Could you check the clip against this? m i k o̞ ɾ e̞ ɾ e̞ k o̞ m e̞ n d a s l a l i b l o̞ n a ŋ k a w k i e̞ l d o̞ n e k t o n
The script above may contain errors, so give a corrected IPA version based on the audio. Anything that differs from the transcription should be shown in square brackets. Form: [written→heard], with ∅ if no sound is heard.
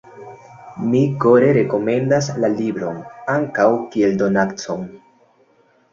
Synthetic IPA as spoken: m i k o̞ ɾ e̞ ɾ e̞ k o̞ m e̞ n d a s l a l i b [l→ɾ] o̞ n a ŋ k a w k i e̞ l d o̞ n [e→a] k [t→t͡s] o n

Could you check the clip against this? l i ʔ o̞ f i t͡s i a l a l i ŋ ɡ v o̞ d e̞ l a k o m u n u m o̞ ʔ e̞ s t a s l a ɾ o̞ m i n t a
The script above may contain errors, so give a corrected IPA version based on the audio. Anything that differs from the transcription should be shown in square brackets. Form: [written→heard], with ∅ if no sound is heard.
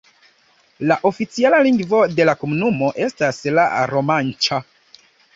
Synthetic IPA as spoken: l [i→a] ʔ o̞ f i t͡s i a l a l i ŋ ɡ v o̞ d e̞ l a k o m u n u m o̞ ʔ e̞ s t a s l a ɾ o̞ m [i→a] n [t→t͡ʃ] a

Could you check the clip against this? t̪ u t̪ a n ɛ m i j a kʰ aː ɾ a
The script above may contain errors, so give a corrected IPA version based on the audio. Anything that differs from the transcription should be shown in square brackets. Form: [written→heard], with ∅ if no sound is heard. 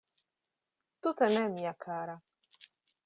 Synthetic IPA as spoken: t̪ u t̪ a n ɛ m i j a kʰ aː ɾ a

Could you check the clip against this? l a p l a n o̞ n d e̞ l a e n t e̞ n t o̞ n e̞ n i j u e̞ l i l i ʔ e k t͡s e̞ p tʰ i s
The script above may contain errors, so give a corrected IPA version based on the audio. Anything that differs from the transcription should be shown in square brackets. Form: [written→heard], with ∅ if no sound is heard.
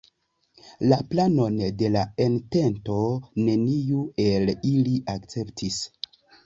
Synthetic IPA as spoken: l a p l a n o̞ n d e̞ l a e n t e̞ n t o̞ n e̞ n i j u e̞ l i l i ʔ [e→a] k t͡s e̞ p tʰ i s

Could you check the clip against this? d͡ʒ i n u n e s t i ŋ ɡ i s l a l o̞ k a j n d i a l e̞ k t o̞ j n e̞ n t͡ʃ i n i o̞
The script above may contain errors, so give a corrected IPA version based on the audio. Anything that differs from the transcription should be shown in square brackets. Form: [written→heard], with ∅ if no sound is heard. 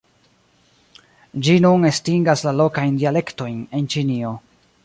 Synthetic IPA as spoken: d͡ʒ i n u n e s t i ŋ ɡ [i→a] s l a l o̞ k a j n d i a l e̞ k t o̞ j n e̞ n t͡ʃ i n i o̞

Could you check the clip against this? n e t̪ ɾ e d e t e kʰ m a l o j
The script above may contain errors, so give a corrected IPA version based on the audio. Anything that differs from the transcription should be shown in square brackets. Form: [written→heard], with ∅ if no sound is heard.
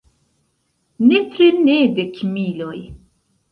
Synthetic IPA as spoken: n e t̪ ɾ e [d→n] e [t→d] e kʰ m [a→i] l o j

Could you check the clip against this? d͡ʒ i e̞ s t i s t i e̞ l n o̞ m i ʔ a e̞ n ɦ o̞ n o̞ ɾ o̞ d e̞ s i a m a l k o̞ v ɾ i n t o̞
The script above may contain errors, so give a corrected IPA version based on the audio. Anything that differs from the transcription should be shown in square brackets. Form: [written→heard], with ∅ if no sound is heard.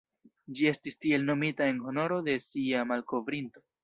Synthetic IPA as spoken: d͡ʒ i e̞ s t i s t i e̞ l n o̞ m i [ʔ→t] a e̞ n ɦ o̞ n o̞ ɾ o̞ d e̞ s i a m a l k o̞ v ɾ i n t o̞

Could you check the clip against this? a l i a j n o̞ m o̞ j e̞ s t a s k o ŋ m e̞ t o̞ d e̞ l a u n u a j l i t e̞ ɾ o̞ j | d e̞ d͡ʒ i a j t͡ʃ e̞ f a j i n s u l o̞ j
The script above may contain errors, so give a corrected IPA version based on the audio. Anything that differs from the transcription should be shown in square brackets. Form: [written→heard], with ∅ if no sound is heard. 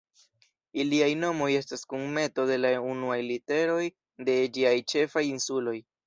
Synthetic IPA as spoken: [a→i] l i a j n o̞ m o̞ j e̞ s t a s k [o→u] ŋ m e̞ t o̞ d e̞ l a u n u a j l i t e̞ ɾ o̞ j | d e̞ d͡ʒ i a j t͡ʃ e̞ f a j i n s u l o̞ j

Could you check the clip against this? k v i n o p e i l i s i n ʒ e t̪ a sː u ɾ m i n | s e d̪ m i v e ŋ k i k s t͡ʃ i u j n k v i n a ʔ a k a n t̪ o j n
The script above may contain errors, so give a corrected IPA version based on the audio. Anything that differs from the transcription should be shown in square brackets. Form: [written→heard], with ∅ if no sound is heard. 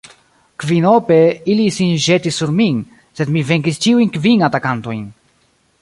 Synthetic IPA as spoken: k v i n o p e i l i s i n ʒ e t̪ [a→i] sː u ɾ m i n | s e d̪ m i v e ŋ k i [k→∅] s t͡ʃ i u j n k v i n a [ʔ→t] a k a n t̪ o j n

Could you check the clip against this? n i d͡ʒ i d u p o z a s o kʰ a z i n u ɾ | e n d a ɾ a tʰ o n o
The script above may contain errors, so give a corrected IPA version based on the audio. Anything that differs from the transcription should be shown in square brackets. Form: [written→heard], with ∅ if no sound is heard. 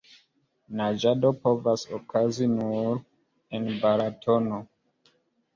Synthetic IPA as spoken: n [i→a] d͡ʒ [i→a] d [u→o] p o [z→v] a s o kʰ a z i n u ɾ | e n [d→b] a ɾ a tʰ o n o

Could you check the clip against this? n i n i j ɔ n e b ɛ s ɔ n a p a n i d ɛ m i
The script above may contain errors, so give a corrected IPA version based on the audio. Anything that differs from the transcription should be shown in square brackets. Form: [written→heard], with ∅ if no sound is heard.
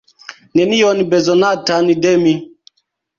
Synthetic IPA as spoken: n [i→ɛ] n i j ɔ n [e→i] b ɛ [s→z] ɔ n a [p→t] a n i d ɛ m i

